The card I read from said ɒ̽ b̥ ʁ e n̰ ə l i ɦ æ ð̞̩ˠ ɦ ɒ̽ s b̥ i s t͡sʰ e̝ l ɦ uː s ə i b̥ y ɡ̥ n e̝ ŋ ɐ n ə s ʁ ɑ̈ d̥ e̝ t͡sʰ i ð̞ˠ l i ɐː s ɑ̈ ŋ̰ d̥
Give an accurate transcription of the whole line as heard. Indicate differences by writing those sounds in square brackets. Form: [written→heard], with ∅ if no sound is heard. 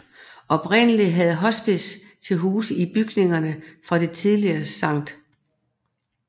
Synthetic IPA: ɒ̽ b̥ ʁ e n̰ ə l i ɦ æ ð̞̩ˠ ɦ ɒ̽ s b̥ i s t͡sʰ e̝ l ɦ uː s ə i b̥ y ɡ̥ n e̝ ŋ ɐ n ə [s→f] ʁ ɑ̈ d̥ e̝ t͡sʰ i ð̞ˠ l i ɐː s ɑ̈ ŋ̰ d̥